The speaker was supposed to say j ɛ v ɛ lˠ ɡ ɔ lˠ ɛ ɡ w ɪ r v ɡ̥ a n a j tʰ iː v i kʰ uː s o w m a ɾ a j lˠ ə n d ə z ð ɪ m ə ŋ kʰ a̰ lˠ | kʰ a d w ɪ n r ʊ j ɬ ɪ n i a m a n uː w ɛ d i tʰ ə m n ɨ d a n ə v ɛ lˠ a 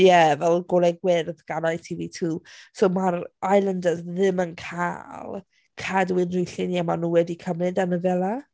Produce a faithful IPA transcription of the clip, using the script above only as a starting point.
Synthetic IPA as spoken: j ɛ v ɛ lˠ ɡ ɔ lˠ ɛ ɡ w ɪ r ð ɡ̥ a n a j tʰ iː v i tʰ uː s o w m a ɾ a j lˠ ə n d ə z ð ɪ m ə n kʰ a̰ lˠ | kʰ a d w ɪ n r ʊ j ɬ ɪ n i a m a n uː w ɛ d i kʰ ə m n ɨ d a n ə v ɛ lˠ a